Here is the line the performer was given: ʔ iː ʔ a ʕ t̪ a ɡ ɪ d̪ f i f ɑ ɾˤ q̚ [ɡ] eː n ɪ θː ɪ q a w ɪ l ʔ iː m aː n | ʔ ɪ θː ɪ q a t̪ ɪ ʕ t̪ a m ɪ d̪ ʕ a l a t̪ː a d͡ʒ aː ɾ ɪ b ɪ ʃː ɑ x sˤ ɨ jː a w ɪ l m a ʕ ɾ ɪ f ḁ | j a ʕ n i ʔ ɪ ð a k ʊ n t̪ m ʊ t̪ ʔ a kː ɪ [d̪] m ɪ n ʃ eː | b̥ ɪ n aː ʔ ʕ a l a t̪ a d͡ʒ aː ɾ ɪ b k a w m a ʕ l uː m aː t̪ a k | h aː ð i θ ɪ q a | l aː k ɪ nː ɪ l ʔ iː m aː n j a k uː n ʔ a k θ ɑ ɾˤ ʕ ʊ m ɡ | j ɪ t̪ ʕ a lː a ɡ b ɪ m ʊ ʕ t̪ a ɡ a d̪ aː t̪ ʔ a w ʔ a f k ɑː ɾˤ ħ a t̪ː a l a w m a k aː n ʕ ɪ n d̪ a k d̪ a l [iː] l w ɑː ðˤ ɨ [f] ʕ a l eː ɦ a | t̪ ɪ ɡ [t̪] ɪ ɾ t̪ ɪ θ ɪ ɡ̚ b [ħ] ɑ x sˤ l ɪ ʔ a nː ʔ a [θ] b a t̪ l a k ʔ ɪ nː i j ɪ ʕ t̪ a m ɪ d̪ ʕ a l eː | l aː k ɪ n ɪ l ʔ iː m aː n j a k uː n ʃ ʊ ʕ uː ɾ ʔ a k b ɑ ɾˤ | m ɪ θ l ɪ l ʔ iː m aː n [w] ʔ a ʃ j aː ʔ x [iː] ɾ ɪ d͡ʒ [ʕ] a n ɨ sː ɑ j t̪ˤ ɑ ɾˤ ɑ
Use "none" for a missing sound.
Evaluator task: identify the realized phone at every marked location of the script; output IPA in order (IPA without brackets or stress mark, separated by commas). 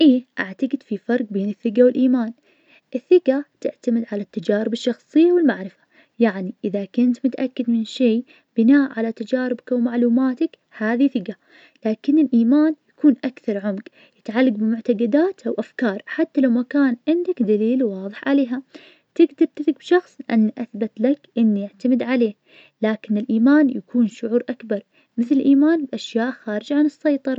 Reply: b, d̪, iː, ħ, d̪, ʃ, θ, b, aː, ʕ